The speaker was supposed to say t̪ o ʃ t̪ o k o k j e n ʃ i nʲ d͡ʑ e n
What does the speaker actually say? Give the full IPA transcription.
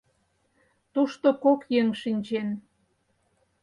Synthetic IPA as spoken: t̪ u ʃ t̪ o k o k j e ŋ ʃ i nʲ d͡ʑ e n